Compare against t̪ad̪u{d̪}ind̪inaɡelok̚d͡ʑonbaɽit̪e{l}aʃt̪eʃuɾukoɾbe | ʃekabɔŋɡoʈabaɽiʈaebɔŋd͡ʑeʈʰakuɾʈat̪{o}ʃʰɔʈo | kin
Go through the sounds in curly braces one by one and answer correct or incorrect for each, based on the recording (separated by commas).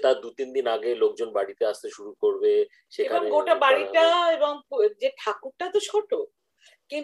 incorrect, incorrect, correct